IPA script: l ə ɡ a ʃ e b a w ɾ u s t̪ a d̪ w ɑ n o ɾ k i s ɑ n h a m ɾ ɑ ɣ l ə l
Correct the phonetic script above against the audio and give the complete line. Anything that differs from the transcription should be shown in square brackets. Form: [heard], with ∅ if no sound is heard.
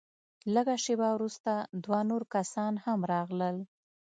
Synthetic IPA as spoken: l ə ɡ a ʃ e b a w ɾ u s t̪ a d̪ w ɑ n o ɾ k [a] s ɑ n h a m ɾ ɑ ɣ l ə l